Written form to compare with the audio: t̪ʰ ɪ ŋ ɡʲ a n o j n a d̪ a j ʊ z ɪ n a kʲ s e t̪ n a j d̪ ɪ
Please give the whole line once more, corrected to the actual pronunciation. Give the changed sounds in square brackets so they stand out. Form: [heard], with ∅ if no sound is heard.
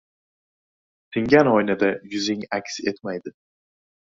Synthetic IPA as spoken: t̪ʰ ɪ ŋ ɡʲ a n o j n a d̪ a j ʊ z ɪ [ŋ] a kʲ s e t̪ [m] a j d̪ ɪ

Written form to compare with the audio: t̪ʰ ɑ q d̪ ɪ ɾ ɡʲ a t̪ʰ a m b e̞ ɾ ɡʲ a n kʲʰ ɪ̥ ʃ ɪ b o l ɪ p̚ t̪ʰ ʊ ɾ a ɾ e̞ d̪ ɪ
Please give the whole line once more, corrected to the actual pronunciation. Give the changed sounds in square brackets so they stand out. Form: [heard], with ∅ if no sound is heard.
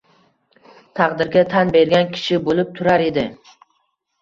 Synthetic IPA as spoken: t̪ʰ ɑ q d̪ ɪ ɾ ɡʲ a t̪ʰ a [n] b e̞ ɾ ɡʲ a n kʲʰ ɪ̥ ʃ ɪ b o l ɪ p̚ t̪ʰ ʊ ɾ a ɾ e̞ d̪ ɪ

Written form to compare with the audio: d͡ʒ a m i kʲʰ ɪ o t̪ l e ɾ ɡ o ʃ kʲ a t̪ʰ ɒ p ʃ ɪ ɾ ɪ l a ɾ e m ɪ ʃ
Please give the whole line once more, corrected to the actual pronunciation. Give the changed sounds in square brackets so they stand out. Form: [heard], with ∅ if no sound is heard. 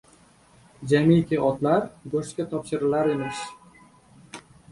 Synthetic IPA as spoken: d͡ʒ a m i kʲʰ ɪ [ɒ] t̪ l [a] ɾ ɡ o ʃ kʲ a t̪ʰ ɒ p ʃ ɪ ɾ ɪ l a ɾ e m ɪ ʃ

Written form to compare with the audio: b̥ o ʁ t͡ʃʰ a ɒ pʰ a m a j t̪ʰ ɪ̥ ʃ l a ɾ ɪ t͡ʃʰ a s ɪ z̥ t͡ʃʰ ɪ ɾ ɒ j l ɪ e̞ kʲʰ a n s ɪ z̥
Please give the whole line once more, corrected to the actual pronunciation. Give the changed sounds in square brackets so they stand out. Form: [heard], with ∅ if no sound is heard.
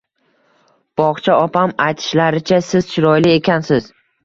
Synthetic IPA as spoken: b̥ [ɒ] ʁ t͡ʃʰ a ɒ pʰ a m a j t̪ʰ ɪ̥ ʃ l a ɾ ɪ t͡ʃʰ a s ɪ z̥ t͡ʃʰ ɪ ɾ ɒ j l ɪ e̞ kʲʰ a n s ɪ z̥

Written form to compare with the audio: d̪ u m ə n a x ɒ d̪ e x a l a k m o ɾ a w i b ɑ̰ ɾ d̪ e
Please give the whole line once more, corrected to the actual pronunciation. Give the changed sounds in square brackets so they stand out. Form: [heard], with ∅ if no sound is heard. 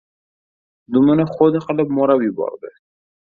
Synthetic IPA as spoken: d̪ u m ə n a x [o] d̪ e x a l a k m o ɾ a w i b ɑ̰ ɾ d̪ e

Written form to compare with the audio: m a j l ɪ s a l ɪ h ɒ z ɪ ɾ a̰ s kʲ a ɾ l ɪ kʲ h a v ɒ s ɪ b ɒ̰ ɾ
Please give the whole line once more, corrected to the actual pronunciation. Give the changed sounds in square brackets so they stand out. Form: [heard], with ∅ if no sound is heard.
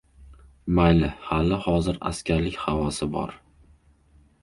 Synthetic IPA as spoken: m a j l ɪ [h] a l ɪ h ɒ z ɪ ɾ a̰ s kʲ a ɾ l ɪ kʲ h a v ɒ s ɪ b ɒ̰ ɾ

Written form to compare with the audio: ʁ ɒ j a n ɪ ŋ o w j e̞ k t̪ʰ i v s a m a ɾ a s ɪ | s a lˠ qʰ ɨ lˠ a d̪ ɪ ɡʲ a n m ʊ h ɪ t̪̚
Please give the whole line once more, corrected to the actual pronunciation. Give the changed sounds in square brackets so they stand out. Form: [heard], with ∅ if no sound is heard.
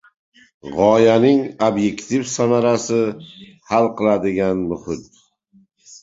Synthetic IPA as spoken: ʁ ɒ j a n ɪ ŋ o [b] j e̞ k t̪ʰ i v s a m a ɾ a s ɪ | [h] a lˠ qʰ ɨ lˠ a d̪ ɪ ɡʲ a n m ʊ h ɪ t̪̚

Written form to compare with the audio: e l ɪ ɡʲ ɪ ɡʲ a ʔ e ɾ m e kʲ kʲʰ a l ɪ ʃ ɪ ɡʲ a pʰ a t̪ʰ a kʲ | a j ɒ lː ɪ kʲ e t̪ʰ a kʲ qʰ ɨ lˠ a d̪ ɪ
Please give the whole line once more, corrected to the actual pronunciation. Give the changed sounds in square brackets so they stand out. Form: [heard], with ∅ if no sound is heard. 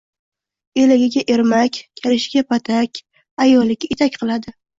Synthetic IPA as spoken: e l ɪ ɡʲ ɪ ɡʲ a ʔ e ɾ m [a] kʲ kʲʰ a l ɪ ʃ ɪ ɡʲ a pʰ a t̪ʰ a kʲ | a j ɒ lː ɪ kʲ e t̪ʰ a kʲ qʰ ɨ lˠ a d̪ ɪ

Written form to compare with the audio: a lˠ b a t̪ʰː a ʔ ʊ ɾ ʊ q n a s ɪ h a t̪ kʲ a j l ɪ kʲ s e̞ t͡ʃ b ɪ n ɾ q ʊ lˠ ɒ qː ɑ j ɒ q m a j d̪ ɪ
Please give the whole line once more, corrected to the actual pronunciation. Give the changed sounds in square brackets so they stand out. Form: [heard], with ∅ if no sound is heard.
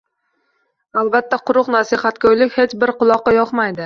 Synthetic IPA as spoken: a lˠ b a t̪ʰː a [q] ʊ ɾ ʊ q n a s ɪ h a t̪ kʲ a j l ɪ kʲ [h] e̞ t͡ʃ b ɪ [∅] ɾ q ʊ lˠ ɒ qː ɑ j ɒ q m a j d̪ ɪ

